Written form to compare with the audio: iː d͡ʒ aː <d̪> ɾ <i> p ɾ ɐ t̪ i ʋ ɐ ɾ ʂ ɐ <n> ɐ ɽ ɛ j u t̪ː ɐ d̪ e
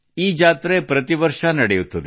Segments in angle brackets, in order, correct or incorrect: incorrect, incorrect, correct

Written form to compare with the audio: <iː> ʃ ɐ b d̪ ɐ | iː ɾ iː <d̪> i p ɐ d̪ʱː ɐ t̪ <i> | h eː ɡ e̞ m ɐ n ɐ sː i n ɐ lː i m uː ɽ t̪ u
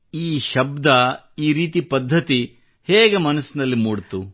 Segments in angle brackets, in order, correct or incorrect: correct, incorrect, correct

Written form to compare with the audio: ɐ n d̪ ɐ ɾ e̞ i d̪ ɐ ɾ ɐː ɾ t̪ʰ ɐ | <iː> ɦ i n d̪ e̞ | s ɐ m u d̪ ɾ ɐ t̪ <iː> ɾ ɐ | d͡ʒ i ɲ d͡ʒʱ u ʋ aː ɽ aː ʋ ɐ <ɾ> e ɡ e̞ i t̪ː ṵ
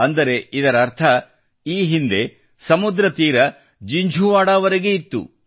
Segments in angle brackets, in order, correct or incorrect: correct, correct, correct

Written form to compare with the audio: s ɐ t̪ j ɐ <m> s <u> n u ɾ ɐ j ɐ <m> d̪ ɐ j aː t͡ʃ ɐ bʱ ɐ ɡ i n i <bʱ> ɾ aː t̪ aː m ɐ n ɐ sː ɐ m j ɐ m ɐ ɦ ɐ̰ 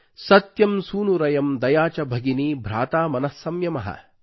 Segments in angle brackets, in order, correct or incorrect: correct, incorrect, correct, correct

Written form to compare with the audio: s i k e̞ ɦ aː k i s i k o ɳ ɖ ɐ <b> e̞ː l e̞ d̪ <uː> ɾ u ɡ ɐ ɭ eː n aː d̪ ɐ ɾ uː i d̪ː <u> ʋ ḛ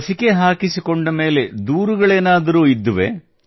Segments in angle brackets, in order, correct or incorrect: incorrect, correct, correct

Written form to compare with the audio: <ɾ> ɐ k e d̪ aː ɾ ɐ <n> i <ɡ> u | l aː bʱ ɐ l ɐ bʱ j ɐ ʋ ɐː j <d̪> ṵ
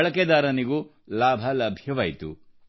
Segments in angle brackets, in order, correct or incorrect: incorrect, correct, correct, incorrect

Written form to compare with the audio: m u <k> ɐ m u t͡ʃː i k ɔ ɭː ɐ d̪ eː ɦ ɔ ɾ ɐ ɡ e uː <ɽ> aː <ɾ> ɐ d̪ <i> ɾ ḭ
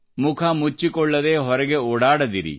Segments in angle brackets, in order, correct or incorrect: incorrect, correct, incorrect, correct

